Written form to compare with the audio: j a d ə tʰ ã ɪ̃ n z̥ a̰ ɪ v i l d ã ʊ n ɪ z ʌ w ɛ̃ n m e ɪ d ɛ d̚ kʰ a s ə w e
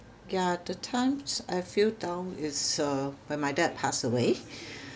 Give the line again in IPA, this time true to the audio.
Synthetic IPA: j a d ə tʰ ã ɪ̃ m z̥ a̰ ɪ f i l d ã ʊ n ɪ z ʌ w ɛ̃ n m a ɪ d ɛ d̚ pʰ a s ə w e

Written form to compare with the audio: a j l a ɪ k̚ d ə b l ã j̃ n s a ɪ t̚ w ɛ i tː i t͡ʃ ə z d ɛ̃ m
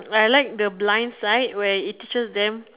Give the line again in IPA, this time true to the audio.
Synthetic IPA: a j l a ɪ k̚ d ə b l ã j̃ n s a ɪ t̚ w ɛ i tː i t͡ʃ ə s d ɛ̃ m

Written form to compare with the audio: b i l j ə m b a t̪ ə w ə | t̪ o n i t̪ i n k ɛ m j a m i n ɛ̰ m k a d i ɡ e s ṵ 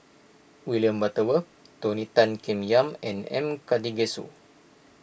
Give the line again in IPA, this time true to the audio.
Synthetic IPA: w i l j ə m b a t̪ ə w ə | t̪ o n i t̪ a n k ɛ m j a m ɛ n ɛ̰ m k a d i ɡ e s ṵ

